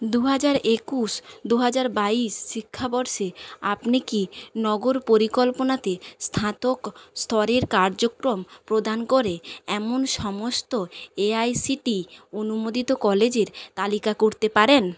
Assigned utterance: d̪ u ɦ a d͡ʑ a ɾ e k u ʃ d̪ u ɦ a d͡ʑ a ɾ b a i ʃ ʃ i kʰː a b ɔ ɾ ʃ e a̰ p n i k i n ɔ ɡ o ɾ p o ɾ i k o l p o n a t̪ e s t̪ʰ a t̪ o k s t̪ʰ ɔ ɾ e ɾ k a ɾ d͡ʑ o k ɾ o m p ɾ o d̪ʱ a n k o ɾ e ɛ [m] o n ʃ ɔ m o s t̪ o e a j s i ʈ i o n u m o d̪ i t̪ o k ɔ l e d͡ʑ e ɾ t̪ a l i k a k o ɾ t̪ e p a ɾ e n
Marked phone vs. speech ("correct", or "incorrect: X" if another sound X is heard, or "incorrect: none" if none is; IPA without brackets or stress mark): correct